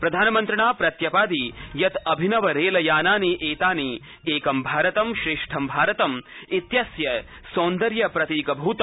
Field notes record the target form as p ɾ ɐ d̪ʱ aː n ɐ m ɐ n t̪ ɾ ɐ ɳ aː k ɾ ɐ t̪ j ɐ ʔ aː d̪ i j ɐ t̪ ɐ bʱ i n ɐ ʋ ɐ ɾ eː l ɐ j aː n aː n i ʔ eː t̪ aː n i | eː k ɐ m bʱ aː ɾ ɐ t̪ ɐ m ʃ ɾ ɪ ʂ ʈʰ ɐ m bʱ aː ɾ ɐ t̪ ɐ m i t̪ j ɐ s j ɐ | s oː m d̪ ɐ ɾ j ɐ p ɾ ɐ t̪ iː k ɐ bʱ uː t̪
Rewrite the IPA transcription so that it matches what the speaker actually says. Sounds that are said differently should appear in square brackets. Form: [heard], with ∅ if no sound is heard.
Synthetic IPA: p ɾ ɐ d̪ʱ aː n ɐ m ɐ n t̪ ɾ ɐ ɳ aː [p] ɾ ɐ t̪ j ɐ [p] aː d̪ i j ɐ t̪ ɐ bʱ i n ɐ ʋ ɐ ɾ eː l ɐ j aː n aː n i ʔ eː t̪ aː n i | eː k ɐ m bʱ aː ɾ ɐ t̪ ɐ m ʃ ɾ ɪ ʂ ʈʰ ɐ m bʱ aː ɾ ɐ t̪ ɐ m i t̪ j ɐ s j ɐ | s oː [n] d̪ ɐ ɾ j ɐ p ɾ ɐ t̪ iː k ɐ bʱ uː t̪

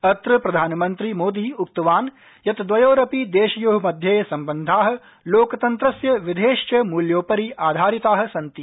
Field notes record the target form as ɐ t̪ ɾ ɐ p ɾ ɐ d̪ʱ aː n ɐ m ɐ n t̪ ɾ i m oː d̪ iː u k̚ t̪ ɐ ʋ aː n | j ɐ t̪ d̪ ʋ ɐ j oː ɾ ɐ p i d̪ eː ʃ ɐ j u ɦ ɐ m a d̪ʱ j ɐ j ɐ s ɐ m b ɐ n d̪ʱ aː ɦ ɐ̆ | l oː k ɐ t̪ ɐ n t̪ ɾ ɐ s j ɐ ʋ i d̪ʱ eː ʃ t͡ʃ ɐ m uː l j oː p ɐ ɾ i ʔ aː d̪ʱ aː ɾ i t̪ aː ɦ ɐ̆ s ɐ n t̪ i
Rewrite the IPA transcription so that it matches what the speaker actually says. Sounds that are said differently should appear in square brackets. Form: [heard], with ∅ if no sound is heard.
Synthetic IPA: ɐ t̪ ɾ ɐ p ɾ ɐ d̪ʱ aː n ɐ m ɐ n t̪ ɾ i m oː d̪ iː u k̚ t̪ ɐ ʋ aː n | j ɐ t̪ d̪ ʋ ɐ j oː ɾ ɐ p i d̪ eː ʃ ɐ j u ɦ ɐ m [ɐ] d̪ʱ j ɐ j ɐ s ɐ m b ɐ n d̪ʱ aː ɦ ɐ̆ | l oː k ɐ t̪ ɐ n t̪ ɾ ɐ s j ɐ ʋ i d̪ʱ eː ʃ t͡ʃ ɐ m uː l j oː p ɐ ɾ i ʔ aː d̪ʱ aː ɾ i t̪ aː ɦ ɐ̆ s ɐ n t̪ i

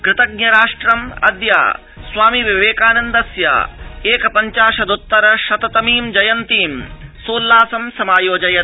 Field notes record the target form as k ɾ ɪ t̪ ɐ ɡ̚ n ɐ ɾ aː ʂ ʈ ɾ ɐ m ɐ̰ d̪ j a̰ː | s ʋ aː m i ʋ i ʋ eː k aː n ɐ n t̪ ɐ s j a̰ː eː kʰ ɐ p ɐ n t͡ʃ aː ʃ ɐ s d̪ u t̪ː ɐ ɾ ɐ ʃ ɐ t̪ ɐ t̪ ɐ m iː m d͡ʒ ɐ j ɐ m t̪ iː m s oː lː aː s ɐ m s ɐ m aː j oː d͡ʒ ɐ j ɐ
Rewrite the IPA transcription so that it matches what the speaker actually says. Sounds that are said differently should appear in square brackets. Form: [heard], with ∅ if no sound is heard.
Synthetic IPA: k ɾ ɪ t̪ ɐ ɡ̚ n ɐ ɾ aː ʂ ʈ ɾ ɐ m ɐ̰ d̪ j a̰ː | s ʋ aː m i ʋ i ʋ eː k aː n ɐ n [d̪] ɐ s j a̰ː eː [k] ɐ p ɐ [ɲ] t͡ʃ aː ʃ ɐ [∅] d̪ u t̪ː ɐ ɾ ɐ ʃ ɐ t̪ ɐ t̪ ɐ m iː m d͡ʒ ɐ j ɐ [n] t̪ iː m s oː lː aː s ɐ m s ɐ m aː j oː d͡ʒ ɐ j ɐ

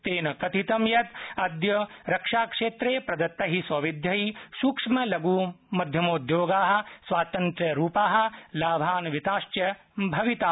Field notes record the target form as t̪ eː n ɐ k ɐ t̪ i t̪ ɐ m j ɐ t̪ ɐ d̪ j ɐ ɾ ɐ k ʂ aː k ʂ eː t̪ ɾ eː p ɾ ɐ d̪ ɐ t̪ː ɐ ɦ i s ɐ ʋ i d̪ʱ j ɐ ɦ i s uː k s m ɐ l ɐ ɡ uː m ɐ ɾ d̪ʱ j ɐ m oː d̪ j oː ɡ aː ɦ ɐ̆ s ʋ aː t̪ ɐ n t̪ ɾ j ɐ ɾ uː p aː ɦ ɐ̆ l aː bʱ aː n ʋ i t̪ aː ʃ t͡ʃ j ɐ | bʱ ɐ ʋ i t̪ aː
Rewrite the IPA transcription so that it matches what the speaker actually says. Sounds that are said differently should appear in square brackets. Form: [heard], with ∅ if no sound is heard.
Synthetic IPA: t̪ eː n ɐ k ɐ t̪ i t̪ ɐ m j ɐ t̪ ɐ d̪ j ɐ ɾ ɐ k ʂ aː k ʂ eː t̪ ɾ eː p ɾ ɐ d̪ ɐ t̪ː ɐ ɦ i s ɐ ʋ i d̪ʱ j ɐ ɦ i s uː k [ʂ] m ɐ l ɐ ɡ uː m ɐ [∅] d̪ʱ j ɐ m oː d̪ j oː ɡ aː ɦ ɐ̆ s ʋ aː t̪ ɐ n t̪ ɾ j ɐ ɾ uː p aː ɦ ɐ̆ l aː bʱ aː n ʋ i t̪ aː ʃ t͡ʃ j ɐ | bʱ ɐ ʋ i t̪ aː

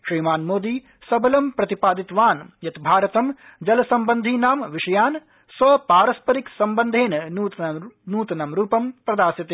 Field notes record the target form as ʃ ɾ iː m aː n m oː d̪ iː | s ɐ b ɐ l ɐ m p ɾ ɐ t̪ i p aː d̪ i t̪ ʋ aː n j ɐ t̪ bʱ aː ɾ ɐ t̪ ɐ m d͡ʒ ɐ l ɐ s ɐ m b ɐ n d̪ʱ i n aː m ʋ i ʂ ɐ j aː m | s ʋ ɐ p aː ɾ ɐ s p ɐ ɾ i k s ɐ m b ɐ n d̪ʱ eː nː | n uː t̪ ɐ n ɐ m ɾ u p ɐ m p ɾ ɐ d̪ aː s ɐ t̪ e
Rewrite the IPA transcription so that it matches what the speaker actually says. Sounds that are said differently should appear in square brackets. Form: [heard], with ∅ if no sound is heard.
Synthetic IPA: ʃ ɾ iː m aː n m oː d̪ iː | s ɐ b ɐ l ɐ m p ɾ ɐ t̪ i p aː d̪ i t̪ ʋ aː n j ɐ t̪ bʱ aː ɾ ɐ t̪ ɐ m d͡ʒ ɐ l ɐ s ɐ m b ɐ n d̪ʱ i n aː m ʋ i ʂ ɐ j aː [n] | s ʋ ɐ p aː ɾ ɐ s p ɐ ɾ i k s ɐ m b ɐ n d̪ʱ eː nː | n uː t̪ ɐ n ɐ m ɾ [uː] p ɐ m p ɾ ɐ d̪ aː s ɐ t̪ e

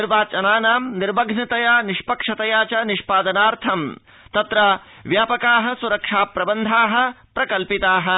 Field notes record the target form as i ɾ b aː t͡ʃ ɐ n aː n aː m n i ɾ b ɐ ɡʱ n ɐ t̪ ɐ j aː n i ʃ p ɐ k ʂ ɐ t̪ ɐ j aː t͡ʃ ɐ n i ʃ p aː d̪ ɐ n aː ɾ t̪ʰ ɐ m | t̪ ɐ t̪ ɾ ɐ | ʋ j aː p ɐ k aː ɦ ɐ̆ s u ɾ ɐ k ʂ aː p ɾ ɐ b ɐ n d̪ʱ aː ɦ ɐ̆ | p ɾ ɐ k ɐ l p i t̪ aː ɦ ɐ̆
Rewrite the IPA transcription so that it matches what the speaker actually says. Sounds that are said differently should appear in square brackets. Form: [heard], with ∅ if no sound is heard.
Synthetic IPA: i ɾ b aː t͡ʃ ɐ n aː n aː m n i ɾ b ɐ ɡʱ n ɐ t̪ ɐ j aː n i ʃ p ɐ k ʂ ɐ t̪ ɐ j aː t͡ʃ ɐ n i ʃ p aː d̪ ɐ n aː ɾ t̪ʰ ɐ m | t̪ ɐ t̪ ɾ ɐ | ʋ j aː p ɐ k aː ɦ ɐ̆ s u ɾ ɐ k ʂ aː p ɾ ɐ b ɐ n d̪ʱ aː ɦ ɐ̆ | p ɾ ɐ k ɐ l p i t̪ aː ɦ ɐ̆

